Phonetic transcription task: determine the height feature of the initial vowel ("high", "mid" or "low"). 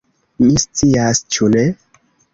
high